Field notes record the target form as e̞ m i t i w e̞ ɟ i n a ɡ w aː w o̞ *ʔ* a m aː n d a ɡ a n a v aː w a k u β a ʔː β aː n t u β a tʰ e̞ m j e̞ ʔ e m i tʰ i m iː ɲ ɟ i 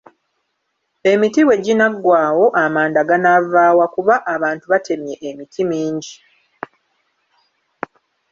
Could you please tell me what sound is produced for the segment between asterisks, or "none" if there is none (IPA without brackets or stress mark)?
ʔ